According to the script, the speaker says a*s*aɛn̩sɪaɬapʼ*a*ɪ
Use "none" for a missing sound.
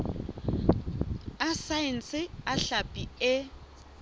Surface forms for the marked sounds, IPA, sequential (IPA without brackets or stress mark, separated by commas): s, i